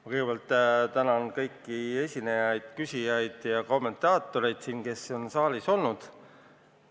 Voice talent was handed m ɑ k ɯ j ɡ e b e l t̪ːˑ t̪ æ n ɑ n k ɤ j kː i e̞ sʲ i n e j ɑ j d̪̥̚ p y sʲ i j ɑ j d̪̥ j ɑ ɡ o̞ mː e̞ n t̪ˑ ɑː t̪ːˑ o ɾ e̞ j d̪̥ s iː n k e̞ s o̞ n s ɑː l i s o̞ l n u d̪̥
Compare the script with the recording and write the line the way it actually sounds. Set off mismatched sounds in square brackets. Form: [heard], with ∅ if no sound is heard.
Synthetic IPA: m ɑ k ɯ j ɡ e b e l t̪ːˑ t̪ æ n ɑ n k ɤ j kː i e̞ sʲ i n e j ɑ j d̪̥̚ [k] y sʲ i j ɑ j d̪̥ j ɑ [k] o̞ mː e̞ n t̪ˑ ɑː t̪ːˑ o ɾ e̞ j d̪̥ s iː n k e̞ s o̞ n s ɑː l i s o̞ l n u d̪̥